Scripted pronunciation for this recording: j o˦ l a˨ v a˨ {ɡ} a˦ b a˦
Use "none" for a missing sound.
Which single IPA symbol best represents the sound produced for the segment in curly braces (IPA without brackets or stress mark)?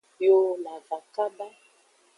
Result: k